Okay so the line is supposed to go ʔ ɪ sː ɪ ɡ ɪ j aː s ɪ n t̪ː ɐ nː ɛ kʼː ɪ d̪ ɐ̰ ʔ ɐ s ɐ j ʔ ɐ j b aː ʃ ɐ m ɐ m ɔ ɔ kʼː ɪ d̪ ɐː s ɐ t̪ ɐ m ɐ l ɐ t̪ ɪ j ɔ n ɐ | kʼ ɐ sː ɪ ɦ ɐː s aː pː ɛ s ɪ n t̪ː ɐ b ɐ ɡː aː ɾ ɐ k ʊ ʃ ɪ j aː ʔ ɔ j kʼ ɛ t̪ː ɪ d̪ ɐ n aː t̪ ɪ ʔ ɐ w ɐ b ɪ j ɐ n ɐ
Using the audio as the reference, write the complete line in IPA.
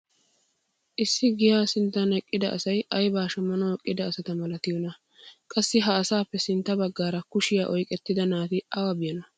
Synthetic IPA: ʔ ɪ sː ɪ ɡ ɪ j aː s ɪ n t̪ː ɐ n ɛ kʼː ɪ d̪ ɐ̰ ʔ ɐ s ɐ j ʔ ɐ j b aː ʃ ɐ m ɐ n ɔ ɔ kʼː ɪ d̪ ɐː s ɐ t̪ ɐ m ɐ l ɐ t̪ ɪ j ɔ n ɐ | kʼ ɐ sː ɪ ɦ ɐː s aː pː ɛ s ɪ n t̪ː ɐ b ɐ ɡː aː ɾ ɐ k ʊ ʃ ɪ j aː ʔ ɔ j kʼ ɛ t̪ː ɪ d̪ ɐ n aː t̪ ɪ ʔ ɐ w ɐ b ɪ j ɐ n ɐ

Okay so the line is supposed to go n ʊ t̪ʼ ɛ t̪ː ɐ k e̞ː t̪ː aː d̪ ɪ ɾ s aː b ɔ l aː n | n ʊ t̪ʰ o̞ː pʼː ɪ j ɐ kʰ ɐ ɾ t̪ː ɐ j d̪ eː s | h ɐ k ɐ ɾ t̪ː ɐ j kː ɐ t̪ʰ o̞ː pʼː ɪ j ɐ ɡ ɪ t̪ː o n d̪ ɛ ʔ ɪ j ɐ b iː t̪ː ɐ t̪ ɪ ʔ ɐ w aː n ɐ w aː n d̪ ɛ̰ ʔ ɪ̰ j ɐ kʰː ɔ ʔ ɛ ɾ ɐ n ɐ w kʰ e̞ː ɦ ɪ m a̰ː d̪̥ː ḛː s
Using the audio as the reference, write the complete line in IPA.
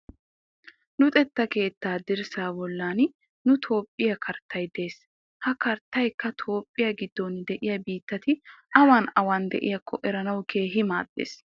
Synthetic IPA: n ʊ t̪ʼ ɛ t̪ː ɐ k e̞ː t̪ː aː d̪ ɪ ɾ s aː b ɔ lː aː n | n ʊ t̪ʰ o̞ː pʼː ɪ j ɐ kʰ ɐ ɾ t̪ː ɐ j d̪ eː s | h ɐ k ɐ ɾ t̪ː ɐ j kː ɐ t̪ʰ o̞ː pʼː ɪ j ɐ ɡ ɪ d̪ː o n d̪ ɛ ʔ ɪ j ɐ b iː t̪ː ɐ t̪ ɪ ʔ ɐ w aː n ɐ w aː n d̪ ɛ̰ ʔ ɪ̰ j ɐ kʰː ɔ ʔ ɛ ɾ ɐ n ɐ w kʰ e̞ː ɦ ɪ m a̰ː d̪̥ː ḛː s

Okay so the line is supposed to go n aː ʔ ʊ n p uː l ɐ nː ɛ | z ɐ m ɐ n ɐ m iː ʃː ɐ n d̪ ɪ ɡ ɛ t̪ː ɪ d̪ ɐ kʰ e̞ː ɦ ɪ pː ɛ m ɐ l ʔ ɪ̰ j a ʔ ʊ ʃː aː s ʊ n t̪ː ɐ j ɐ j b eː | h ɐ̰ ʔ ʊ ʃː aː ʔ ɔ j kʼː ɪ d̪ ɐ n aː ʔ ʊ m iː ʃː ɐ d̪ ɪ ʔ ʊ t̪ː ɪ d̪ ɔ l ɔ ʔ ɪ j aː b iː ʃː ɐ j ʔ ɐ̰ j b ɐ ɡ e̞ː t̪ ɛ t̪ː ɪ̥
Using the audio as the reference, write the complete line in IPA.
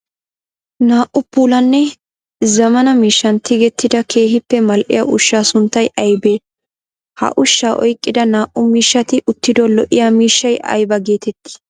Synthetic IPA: n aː ʔ ʊ p uː l ɐ nː ɛ | z ɐ m ɐ n ɐ m iː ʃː ɐ n t̪ ɪ ɡ ɛ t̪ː ɪ d̪ ɐ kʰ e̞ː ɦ ɪ pː ɛ m ɐ l ʔ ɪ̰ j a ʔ ʊ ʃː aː s ʊ n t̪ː ɐ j ɐ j b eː | h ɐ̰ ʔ ʊ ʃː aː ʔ ɔ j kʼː ɪ d̪ ɐ n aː ʔ ʊ m iː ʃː ɐ t̪ ɪ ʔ ʊ t̪ː ɪ d̪ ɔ l ɔ ʔ ɪ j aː m iː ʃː ɐ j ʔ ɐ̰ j b ɐ ɡ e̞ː t̪ ɛ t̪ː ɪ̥

